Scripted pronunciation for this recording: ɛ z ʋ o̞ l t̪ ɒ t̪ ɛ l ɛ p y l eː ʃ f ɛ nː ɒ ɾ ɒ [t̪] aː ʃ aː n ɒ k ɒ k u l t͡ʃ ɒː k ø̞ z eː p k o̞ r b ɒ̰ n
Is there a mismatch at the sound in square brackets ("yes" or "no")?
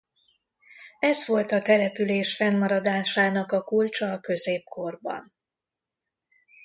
yes